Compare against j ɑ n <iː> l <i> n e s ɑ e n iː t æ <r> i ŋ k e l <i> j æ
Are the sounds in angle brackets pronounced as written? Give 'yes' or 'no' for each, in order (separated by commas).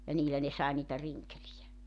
yes, no, yes, yes